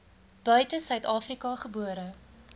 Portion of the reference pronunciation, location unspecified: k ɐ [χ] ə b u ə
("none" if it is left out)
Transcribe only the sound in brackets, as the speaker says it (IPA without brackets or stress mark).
χ